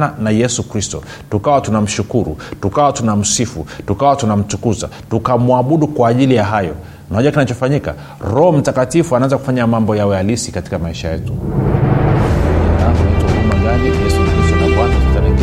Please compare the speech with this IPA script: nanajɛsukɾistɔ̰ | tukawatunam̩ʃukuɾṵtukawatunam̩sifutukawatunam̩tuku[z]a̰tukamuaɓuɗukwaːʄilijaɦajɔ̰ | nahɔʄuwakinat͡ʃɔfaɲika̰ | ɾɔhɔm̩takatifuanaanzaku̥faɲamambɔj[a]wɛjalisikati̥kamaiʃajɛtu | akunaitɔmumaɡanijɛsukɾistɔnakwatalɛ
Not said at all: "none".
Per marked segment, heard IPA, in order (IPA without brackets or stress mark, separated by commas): z, a